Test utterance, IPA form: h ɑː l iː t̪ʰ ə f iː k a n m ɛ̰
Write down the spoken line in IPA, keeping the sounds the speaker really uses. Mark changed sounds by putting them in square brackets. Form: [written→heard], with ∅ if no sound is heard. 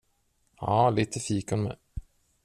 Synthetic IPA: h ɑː l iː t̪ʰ ə f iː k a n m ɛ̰